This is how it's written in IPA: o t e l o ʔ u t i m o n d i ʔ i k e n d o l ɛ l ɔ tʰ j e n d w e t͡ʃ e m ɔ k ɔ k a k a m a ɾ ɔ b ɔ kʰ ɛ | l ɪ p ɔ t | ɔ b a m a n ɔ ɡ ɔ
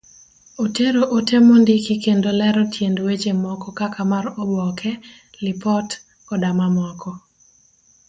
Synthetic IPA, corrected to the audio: o t e ɾ o ʔ o t e m o n d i k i k e n d o l ɛ ɾ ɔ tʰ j e n d w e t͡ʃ e m ɔ k ɔ k a k a m a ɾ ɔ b ɔ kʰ ɛ | l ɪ p ɔ t | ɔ d a m a m ɔ k ɔ